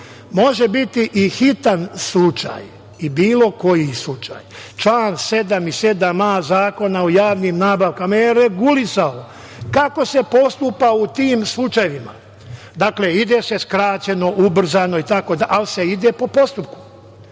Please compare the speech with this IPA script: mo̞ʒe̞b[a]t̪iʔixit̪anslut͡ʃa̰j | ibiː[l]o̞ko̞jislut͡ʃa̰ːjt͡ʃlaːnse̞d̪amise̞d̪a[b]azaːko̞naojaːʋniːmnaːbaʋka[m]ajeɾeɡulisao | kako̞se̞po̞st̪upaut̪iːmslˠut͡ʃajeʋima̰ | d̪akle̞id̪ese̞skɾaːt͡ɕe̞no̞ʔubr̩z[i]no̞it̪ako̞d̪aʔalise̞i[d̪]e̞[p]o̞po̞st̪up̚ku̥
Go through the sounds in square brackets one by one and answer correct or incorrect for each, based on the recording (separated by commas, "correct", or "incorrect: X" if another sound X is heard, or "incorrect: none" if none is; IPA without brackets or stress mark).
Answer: incorrect: i, correct, incorrect: m, correct, incorrect: a, correct, correct